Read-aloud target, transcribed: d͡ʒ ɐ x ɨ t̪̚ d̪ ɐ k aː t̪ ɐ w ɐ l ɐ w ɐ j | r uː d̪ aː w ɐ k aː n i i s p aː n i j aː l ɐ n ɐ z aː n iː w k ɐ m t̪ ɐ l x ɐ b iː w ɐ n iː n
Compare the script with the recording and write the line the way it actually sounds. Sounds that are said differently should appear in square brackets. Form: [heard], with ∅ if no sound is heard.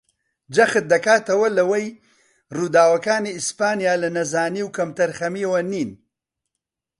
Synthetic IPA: d͡ʒ ɐ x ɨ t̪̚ d̪ ɐ k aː t̪ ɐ w ɐ l ɐ w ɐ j | r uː d̪ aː w ɐ k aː n i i s p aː n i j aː l ɐ n ɐ z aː n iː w k ɐ m t̪ ɐ [ɾ] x ɐ [m] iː w ɐ n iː n